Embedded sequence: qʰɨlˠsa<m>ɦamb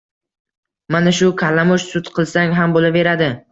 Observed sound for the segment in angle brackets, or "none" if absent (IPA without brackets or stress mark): ŋ